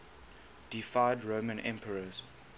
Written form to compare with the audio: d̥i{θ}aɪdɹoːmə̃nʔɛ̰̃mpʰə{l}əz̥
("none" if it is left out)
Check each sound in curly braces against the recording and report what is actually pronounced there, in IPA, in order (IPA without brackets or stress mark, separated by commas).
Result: f, ɹ